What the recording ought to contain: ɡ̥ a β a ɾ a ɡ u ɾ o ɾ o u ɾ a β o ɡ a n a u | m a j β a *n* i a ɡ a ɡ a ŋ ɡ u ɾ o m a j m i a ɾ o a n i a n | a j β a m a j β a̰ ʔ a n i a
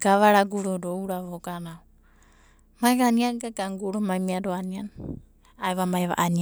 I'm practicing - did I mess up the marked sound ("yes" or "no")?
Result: no